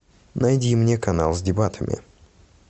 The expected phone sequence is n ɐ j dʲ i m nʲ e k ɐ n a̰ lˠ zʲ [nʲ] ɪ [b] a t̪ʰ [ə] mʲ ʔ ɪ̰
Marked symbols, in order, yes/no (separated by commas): no, yes, yes